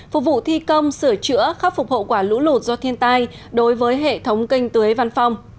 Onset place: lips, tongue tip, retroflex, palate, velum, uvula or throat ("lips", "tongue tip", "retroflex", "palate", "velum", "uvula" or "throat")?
lips